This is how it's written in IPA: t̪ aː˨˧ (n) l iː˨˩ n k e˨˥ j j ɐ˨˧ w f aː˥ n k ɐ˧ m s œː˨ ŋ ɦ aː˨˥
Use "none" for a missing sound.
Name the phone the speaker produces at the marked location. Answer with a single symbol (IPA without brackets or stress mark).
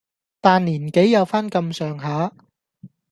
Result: n